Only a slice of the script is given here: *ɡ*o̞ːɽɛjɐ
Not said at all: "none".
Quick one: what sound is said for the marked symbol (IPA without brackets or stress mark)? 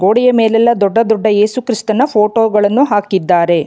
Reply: ɡ